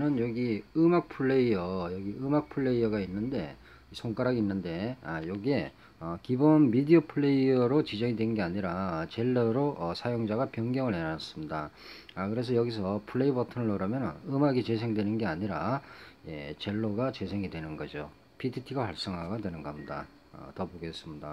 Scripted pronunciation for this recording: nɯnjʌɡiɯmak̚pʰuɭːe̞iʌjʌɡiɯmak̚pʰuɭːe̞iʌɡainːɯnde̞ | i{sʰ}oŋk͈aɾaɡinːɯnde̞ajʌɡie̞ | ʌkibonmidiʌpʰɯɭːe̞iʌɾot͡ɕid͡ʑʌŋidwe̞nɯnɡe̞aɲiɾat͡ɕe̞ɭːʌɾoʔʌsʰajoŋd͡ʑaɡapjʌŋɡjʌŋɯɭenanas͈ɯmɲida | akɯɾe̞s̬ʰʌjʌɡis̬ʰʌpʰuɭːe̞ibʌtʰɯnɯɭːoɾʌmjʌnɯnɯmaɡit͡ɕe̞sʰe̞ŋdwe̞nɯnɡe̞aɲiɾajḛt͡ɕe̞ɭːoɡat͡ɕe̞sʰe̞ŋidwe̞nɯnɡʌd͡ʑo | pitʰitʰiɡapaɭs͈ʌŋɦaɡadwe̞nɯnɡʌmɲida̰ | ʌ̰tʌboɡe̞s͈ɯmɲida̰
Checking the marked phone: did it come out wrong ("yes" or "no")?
no